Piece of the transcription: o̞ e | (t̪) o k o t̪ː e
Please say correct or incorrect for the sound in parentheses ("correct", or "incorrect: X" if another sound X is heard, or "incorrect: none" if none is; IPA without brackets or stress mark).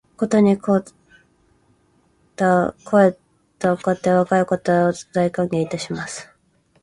correct